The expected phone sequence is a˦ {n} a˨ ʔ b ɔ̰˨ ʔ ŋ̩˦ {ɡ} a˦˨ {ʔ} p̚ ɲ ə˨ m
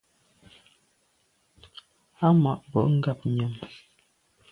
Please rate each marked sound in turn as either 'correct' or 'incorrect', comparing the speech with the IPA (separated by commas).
incorrect, correct, incorrect